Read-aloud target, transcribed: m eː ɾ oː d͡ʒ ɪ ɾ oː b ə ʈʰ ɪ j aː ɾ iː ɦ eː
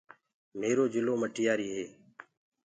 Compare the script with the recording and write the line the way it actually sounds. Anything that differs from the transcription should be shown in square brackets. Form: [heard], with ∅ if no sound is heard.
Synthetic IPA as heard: m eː ɾ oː d͡ʒ ɪ [l] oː [m] ə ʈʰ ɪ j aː ɾ iː ɦ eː

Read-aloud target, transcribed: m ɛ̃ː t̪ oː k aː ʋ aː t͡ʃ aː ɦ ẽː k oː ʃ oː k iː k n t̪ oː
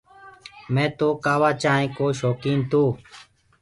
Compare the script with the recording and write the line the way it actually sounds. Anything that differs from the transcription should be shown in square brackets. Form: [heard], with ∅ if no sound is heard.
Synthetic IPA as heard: m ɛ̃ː t̪ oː k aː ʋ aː t͡ʃ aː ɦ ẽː k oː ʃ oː k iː [∅] n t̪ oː

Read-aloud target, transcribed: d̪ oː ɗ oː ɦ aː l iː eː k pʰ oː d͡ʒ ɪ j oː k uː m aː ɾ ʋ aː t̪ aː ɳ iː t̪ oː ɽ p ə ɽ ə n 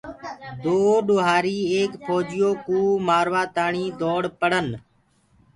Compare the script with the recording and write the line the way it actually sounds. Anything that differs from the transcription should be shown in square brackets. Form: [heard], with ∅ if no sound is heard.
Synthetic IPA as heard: d̪ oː ɗ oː ɦ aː [ɾ] iː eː k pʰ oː d͡ʒ ɪ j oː k uː m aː ɾ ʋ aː t̪ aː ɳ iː [d̪] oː ɽ p ə ɽ ə n

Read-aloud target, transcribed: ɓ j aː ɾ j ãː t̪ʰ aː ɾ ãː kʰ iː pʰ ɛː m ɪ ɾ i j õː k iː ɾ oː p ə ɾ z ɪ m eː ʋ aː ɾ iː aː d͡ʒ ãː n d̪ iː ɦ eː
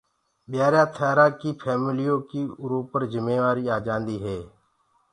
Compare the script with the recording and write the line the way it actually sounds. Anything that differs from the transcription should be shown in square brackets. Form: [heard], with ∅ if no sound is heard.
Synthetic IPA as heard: ɓ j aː ɾ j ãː t̪ʰ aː ɾ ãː [k] iː pʰ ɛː m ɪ [l] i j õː k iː ɾ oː p ə ɾ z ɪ m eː ʋ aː ɾ iː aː d͡ʒ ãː n d̪ iː ɦ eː

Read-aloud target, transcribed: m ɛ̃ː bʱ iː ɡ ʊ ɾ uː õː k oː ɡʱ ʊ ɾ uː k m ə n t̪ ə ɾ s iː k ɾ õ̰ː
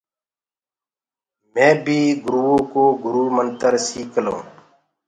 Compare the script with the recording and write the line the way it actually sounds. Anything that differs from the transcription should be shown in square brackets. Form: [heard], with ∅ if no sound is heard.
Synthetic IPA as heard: m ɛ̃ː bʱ iː ɡ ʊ ɾ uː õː k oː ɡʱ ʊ ɾ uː [∅] m ə n t̪ ə ɾ s iː k [l] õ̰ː

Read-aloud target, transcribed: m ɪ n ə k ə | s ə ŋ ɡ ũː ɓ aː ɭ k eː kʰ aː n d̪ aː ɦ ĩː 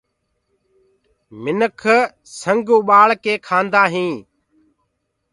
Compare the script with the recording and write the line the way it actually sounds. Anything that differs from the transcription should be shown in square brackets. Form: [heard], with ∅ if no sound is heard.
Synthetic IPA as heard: m ɪ n ə [kʰ] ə | s ə ŋ ɡ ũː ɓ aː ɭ k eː kʰ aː n d̪ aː ɦ ĩː

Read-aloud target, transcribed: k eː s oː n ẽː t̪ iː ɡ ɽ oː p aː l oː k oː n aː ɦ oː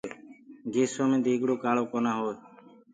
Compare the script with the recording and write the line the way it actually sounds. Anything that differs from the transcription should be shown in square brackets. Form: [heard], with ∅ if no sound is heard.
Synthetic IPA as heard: [ɡ] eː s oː [m] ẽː [d̪] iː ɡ ɽ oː [k] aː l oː k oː n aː ɦ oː

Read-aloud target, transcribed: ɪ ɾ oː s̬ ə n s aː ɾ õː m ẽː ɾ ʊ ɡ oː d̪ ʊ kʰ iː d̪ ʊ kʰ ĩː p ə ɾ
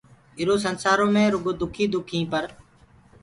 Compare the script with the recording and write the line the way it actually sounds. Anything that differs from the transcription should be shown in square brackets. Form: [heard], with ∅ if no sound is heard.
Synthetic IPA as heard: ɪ ɾ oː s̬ ə n s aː ɾ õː m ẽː ɾ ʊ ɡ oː d̪ ʊ kʰ iː d̪ ʊ kʰ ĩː p ə ɾ

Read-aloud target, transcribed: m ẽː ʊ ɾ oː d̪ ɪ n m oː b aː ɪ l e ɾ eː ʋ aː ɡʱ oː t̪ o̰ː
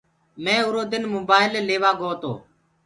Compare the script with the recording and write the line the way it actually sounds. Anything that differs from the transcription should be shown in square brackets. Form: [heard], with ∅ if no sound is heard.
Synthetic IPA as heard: m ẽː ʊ ɾ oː d̪ ɪ n m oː b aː ɪ l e [l] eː ʋ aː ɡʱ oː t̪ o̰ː

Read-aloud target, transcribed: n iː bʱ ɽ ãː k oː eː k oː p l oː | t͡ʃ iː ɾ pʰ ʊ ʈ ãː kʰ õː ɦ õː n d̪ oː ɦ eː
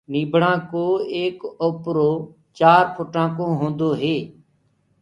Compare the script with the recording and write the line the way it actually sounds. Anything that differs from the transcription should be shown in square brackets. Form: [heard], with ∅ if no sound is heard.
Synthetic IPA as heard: n iː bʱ ɽ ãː k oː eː k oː p [ɾ] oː | t͡ʃ [aː] ɾ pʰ ʊ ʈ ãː [k] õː ɦ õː n d̪ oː ɦ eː

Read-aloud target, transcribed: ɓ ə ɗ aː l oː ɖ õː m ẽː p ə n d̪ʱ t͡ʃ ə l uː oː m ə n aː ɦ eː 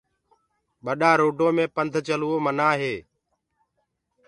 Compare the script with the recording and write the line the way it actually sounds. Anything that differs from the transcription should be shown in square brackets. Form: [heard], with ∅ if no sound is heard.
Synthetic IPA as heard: ɓ ə ɗ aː [ɾ] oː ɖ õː m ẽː p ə n d̪ʱ t͡ʃ ə l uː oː m ə n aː ɦ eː

